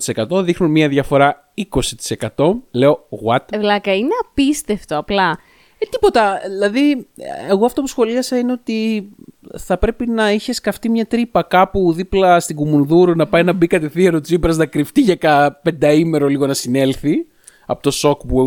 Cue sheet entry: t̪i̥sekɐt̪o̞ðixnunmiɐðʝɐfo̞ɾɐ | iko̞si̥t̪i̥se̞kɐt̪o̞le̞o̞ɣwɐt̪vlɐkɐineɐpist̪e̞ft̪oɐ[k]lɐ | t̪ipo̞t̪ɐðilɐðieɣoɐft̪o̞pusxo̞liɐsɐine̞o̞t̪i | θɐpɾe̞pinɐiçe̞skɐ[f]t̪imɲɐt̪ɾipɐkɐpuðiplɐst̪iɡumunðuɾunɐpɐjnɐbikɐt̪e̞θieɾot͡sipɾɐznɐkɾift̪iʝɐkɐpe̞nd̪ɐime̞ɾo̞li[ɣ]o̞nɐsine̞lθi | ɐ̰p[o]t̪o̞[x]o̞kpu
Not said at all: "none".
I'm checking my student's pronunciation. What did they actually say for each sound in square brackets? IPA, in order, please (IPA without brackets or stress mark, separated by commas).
p, f, ɣ, o, s